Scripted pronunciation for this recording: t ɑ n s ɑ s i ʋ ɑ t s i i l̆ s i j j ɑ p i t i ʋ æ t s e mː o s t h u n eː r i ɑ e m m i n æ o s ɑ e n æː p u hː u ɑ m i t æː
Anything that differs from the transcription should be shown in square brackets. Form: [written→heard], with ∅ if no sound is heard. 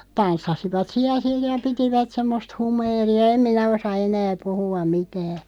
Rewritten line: t ɑ n [s→sː] ɑ s i ʋ ɑ t s i [i→æ] l̆ s i j j ɑ p i t i ʋ æ t s e mː o s t h u [n→m] eː r i ɑ e m m i n æ o s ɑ e n æː p u [hː→h] u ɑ m i t æː